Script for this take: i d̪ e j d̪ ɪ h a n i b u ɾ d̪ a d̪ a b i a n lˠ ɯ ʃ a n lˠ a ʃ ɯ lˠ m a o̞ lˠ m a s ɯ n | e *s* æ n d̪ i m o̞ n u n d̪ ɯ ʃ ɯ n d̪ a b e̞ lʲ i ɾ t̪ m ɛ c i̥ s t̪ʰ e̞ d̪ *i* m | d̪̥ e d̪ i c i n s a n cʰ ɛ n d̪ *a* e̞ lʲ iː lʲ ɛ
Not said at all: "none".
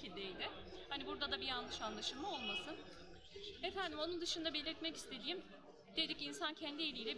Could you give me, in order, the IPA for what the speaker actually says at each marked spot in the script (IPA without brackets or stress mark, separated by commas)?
f, iː, i